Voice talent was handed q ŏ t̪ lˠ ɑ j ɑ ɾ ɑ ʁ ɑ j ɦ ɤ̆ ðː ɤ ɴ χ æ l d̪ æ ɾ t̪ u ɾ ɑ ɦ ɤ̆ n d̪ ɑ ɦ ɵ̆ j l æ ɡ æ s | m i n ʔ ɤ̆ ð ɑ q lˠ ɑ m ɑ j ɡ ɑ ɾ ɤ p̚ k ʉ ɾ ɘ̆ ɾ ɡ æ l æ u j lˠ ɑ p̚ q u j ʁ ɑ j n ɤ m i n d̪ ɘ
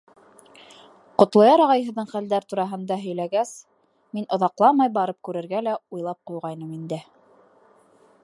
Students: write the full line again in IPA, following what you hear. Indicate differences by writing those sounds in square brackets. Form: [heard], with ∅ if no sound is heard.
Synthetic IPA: q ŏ t̪ lˠ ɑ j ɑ ɾ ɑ ʁ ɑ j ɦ ɤ̆ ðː ɤ ɴ χ æ l d̪ æ ɾ t̪ u ɾ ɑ ɦ ɤ̆ n d̪ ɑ ɦ ɵ̆ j l æ ɡ æ s | m i n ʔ [ŏ] ð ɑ q lˠ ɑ m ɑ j [b] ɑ ɾ ɤ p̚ k ʉ ɾ ɘ̆ ɾ ɡ æ l æ u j lˠ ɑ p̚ q u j ʁ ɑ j n ɤ m i n d̪ ɘ